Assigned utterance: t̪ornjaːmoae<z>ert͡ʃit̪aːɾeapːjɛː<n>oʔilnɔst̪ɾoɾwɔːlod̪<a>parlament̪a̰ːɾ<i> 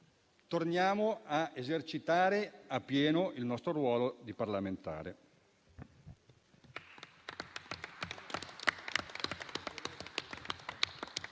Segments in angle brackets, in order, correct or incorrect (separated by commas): correct, correct, incorrect, incorrect